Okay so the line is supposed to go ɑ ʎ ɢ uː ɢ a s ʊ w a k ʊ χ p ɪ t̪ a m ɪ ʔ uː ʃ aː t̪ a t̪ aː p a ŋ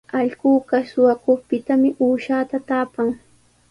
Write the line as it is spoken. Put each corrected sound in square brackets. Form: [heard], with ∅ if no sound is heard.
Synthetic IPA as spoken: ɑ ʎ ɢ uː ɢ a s ʊ w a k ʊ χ p ɪ t̪ a m ɪ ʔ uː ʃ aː t̪ a t̪ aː p a ŋ